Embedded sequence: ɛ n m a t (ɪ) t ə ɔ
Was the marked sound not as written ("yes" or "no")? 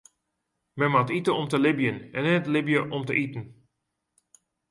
yes